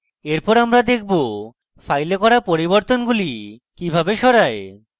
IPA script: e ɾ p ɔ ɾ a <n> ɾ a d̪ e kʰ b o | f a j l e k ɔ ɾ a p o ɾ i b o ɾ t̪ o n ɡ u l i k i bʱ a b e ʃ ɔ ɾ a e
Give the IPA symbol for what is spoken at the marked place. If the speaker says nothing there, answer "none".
m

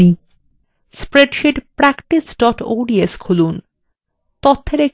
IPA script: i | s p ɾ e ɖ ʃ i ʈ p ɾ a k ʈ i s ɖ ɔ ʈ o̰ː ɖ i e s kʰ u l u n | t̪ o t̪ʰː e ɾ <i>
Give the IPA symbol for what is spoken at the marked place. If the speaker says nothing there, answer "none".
e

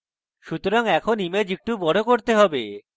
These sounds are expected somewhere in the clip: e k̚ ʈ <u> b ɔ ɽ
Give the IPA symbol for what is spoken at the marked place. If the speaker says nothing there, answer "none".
u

